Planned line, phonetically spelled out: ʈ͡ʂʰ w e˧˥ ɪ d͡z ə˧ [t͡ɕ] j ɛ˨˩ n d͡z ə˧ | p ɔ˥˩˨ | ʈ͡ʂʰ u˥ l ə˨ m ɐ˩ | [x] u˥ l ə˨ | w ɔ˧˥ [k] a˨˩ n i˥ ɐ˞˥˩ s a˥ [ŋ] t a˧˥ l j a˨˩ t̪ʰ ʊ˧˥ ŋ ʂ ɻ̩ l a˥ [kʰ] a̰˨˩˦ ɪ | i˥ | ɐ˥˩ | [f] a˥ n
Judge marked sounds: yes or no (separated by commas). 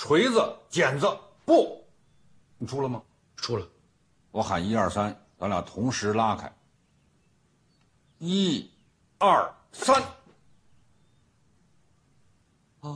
yes, no, no, no, yes, no